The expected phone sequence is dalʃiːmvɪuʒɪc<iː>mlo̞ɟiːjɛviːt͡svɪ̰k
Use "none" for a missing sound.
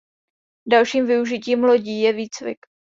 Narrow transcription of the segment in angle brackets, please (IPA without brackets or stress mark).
iː